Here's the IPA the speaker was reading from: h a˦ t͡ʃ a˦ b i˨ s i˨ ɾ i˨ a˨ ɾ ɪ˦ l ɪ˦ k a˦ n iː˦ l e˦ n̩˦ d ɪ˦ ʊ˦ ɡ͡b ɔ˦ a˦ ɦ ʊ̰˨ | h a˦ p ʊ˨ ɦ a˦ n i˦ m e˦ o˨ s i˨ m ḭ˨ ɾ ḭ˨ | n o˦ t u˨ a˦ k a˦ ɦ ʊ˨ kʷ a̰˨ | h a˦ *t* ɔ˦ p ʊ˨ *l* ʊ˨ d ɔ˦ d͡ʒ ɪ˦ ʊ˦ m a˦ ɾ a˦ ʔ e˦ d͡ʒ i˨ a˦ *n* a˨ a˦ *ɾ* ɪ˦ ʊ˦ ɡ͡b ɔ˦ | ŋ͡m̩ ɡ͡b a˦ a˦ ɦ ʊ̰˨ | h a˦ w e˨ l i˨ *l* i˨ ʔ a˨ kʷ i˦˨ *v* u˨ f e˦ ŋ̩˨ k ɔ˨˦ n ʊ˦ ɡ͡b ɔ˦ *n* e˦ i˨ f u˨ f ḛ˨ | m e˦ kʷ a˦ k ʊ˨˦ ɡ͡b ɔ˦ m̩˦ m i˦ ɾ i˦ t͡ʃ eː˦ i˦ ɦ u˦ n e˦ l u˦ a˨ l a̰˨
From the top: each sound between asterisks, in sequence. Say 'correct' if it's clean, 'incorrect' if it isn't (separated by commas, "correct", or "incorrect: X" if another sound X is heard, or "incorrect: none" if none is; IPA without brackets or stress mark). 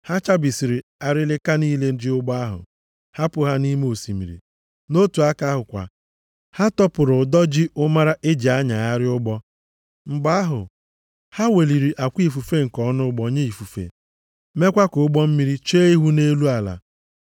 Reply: correct, incorrect: ɾ, incorrect: ɲ, correct, incorrect: ɾ, incorrect: f, incorrect: ɲ